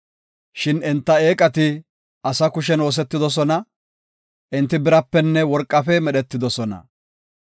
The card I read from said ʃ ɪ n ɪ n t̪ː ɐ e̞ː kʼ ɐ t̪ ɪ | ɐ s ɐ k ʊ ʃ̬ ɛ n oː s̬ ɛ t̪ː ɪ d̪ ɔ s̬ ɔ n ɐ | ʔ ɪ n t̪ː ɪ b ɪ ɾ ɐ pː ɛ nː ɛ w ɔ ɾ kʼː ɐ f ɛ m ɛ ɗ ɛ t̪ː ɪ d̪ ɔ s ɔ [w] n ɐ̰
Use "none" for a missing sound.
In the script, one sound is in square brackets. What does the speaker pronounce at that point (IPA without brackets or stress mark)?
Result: none